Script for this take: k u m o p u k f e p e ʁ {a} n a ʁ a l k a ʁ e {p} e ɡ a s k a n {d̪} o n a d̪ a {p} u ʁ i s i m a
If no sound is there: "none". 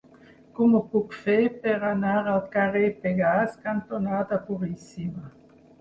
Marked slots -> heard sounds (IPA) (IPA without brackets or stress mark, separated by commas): a, p, t̪, p